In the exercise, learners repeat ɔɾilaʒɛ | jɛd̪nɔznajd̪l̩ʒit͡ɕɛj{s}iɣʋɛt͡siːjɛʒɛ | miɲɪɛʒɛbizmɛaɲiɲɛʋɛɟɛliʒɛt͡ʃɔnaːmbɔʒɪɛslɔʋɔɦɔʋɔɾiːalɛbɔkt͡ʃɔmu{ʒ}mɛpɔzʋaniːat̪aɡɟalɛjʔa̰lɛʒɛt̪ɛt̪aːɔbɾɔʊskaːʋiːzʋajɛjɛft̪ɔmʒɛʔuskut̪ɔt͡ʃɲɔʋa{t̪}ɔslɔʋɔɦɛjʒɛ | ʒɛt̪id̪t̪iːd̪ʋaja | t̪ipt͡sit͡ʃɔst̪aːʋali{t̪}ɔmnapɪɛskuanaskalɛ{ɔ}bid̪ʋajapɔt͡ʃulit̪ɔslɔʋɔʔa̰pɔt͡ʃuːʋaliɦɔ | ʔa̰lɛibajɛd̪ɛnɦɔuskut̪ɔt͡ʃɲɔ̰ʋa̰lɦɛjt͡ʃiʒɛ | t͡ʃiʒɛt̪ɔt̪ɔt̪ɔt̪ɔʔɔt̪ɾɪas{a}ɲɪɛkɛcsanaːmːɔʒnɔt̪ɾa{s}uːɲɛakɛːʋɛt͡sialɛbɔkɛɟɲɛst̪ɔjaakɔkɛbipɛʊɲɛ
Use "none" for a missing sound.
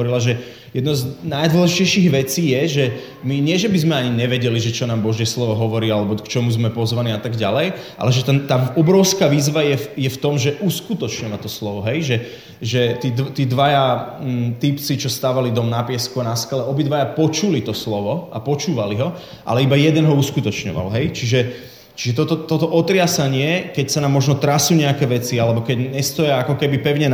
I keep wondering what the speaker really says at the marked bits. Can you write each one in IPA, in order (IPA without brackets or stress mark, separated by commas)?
ʃ, z, t̪, d̪, ɔ, a, s